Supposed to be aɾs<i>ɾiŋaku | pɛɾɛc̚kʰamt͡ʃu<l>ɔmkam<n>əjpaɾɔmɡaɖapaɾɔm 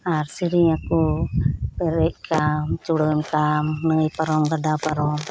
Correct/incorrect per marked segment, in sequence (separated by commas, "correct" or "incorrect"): correct, incorrect, correct